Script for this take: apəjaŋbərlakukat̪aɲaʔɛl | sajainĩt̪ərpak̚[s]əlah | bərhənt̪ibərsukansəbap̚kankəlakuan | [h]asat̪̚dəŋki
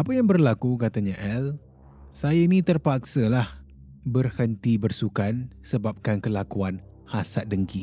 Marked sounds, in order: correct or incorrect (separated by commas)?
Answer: correct, correct